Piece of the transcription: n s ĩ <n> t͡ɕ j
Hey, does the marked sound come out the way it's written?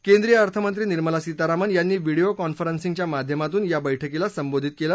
no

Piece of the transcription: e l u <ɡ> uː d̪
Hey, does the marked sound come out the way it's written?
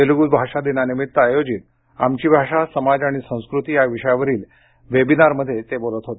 yes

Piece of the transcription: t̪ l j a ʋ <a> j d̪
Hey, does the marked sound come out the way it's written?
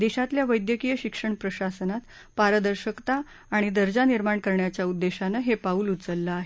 no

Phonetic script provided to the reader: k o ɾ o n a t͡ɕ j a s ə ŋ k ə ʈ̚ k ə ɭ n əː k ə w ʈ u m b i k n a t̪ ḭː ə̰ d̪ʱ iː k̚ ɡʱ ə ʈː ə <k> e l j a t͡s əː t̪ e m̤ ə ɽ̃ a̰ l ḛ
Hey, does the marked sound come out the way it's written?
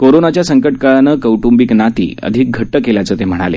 yes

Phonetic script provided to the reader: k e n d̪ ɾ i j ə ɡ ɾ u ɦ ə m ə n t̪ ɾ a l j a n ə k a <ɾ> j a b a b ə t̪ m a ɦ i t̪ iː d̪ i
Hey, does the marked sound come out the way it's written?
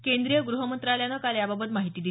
no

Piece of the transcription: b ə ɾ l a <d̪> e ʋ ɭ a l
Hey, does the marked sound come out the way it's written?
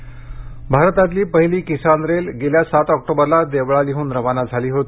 yes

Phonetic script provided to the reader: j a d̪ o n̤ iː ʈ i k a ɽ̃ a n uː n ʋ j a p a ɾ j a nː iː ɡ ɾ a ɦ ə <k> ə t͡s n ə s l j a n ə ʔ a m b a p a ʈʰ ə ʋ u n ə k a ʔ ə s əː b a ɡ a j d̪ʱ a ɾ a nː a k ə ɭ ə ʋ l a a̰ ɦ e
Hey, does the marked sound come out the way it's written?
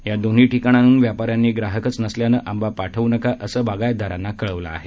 yes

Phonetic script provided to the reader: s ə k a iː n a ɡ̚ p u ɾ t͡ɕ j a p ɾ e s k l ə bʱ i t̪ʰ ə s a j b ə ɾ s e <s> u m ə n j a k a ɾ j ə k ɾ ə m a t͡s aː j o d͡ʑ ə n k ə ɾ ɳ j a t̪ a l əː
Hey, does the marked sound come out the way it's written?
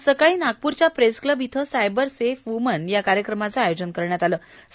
no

